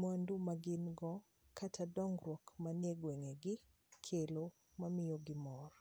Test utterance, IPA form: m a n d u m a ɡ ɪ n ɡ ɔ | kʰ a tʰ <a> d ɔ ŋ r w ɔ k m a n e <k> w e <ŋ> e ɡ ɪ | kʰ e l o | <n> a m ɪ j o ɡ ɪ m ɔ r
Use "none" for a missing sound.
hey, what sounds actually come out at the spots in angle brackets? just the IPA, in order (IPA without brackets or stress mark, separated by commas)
a, ɡ, ŋ, m